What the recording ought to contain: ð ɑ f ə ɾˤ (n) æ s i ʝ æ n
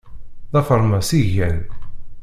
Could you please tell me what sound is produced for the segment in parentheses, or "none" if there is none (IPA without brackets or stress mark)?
m